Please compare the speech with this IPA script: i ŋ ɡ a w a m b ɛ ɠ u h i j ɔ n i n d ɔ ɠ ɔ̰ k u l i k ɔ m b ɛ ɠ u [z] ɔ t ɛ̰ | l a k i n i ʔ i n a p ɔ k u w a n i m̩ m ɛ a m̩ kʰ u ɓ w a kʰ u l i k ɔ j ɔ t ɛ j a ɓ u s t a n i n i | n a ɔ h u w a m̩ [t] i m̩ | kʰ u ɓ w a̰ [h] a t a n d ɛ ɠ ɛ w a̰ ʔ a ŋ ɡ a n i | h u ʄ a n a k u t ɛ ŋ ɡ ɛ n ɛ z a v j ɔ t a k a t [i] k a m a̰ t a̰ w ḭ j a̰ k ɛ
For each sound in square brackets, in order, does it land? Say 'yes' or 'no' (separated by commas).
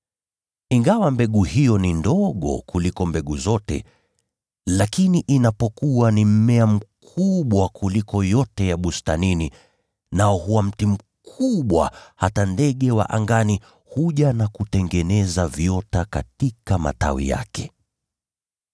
yes, yes, yes, yes